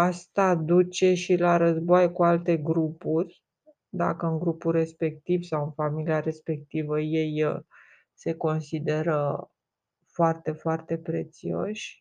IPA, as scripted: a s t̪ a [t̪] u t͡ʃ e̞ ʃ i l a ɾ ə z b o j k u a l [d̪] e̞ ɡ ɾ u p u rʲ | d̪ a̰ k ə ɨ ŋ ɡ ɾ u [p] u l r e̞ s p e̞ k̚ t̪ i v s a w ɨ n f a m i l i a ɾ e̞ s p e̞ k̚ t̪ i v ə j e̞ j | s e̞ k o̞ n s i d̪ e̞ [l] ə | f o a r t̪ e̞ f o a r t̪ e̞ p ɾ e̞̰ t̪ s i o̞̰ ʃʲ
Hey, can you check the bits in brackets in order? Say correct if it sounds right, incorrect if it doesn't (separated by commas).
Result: incorrect, incorrect, correct, incorrect